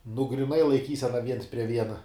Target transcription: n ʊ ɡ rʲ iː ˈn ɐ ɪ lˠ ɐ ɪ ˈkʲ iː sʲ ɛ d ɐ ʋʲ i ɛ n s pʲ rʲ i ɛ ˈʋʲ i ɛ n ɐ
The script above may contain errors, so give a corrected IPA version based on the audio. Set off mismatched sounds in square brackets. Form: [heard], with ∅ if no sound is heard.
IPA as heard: n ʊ ɡ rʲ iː ˈn ɐ ɪ lˠ ɐ ɪ ˈkʲ iː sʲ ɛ [n] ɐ ʋʲ i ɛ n s pʲ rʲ i ɛ ˈʋʲ i ɛ n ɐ